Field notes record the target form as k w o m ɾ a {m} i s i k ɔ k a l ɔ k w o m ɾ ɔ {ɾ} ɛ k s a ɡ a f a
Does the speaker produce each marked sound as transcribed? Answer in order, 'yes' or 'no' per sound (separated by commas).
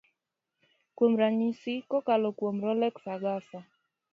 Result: no, no